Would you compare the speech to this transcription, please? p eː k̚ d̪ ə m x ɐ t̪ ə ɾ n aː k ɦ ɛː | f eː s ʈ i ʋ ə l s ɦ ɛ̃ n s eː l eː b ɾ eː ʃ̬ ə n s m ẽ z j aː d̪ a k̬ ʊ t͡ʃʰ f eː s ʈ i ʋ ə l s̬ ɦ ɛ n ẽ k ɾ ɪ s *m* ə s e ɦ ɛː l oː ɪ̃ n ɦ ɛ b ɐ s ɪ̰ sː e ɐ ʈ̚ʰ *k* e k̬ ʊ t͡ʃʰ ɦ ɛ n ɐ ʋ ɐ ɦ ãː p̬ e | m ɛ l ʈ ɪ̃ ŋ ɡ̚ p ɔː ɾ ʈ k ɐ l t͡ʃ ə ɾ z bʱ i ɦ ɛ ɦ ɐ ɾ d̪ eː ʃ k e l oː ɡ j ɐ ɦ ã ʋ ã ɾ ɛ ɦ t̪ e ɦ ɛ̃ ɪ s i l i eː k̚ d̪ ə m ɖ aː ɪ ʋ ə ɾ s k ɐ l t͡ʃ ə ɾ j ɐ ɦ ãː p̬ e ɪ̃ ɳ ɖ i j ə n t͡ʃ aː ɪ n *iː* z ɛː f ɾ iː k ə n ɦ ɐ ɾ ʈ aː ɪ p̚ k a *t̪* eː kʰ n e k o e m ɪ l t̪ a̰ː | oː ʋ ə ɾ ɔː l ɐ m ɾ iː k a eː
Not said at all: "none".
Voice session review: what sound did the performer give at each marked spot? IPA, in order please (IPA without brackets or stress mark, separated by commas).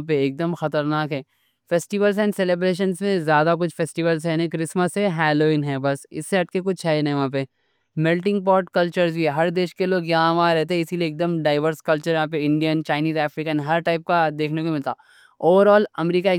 m, k, iː, d̪